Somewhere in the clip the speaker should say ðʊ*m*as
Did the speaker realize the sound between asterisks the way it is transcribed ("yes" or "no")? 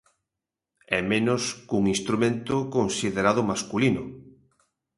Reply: yes